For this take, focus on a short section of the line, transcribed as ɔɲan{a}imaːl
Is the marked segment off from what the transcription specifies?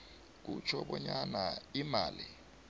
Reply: no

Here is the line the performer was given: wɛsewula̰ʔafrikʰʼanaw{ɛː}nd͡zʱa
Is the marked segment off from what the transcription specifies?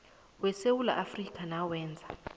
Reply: no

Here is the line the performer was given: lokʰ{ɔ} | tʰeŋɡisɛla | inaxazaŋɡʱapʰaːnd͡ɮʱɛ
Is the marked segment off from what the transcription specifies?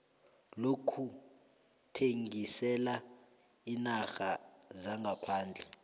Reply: yes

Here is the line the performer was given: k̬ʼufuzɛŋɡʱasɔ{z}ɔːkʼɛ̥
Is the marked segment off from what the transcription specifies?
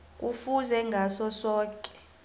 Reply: yes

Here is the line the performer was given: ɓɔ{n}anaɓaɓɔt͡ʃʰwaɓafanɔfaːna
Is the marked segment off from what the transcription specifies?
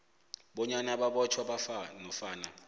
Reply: yes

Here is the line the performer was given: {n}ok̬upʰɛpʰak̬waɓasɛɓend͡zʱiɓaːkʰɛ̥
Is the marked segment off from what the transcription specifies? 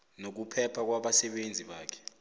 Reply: no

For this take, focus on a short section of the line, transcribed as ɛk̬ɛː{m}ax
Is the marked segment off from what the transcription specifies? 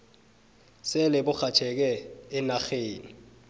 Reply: yes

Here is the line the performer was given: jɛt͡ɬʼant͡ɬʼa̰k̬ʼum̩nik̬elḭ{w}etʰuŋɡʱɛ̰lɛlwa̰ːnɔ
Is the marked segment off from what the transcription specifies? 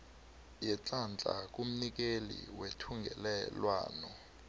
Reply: no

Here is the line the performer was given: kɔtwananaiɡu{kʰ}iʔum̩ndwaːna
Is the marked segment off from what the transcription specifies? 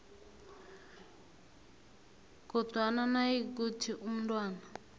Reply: yes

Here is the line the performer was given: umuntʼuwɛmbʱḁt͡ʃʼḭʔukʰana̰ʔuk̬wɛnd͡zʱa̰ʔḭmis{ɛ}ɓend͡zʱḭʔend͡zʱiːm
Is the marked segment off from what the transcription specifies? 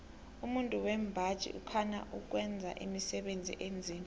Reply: no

